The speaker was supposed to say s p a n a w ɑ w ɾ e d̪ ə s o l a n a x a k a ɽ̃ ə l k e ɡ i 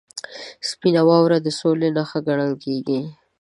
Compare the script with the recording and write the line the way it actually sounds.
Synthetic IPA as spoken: s p i n a w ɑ w ɾ a d̪ ə s o l e n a x a ɡ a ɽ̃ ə l k e ɡ i